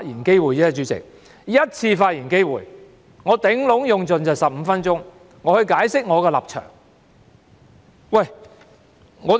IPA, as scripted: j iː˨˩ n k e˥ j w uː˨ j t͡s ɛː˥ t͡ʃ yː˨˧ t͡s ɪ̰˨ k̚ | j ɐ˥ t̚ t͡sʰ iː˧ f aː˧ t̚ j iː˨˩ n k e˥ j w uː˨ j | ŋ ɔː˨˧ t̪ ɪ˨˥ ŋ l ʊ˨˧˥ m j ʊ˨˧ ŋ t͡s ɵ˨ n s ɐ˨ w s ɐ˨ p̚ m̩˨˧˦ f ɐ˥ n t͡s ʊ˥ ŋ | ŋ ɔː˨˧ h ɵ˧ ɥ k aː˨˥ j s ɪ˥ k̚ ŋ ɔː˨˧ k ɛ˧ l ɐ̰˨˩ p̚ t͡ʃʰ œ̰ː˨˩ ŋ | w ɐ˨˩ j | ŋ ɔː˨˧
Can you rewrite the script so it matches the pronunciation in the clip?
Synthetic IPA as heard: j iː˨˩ n k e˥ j w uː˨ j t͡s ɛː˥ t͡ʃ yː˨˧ t͡s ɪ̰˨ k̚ | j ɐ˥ t̚ t͡sʰ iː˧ f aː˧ t̚ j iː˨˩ n k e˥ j w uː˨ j | ŋ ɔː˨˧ t̪ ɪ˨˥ ŋ l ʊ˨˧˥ ŋ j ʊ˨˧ ŋ t͡s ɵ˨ n t͡s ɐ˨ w s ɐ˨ p̚ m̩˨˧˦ f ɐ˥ n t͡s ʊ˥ ŋ | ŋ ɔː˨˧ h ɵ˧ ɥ k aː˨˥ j s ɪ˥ k̚ ŋ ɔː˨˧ k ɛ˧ l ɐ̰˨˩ p̚ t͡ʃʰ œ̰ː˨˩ ŋ | w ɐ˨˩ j | ŋ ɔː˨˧